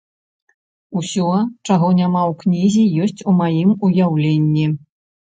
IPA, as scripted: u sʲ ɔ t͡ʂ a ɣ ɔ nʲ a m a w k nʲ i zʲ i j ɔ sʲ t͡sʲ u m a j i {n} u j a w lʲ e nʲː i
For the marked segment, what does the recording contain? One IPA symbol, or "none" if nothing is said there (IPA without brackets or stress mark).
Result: m